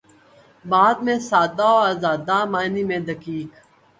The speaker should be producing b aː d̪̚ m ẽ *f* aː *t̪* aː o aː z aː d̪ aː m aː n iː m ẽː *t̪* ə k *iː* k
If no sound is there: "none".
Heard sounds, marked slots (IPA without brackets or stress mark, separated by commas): s, d̪, d̪, iː